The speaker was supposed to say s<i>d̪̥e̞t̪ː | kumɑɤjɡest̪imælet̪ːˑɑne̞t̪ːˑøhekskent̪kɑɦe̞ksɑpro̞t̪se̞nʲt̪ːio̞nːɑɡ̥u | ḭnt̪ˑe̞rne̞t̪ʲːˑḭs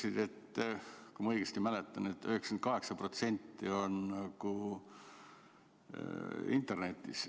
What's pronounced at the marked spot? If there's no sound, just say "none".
i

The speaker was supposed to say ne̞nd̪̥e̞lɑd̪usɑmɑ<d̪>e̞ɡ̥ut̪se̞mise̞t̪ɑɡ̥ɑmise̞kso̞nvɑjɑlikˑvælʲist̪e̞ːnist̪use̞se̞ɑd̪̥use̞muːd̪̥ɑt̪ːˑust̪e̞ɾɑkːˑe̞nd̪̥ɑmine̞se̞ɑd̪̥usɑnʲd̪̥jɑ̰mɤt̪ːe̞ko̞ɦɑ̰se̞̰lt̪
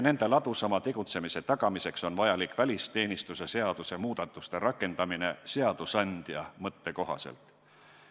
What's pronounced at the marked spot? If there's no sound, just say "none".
t̪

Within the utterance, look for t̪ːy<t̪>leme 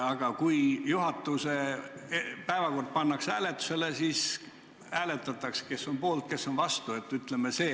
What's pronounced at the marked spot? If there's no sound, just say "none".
t̪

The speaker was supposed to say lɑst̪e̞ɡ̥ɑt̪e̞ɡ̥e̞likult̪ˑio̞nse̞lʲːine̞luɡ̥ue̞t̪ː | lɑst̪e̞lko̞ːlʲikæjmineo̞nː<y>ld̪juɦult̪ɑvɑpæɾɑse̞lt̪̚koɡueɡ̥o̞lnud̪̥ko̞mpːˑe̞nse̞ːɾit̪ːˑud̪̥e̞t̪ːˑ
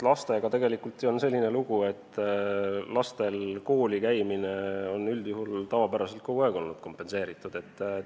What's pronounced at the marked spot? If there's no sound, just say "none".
y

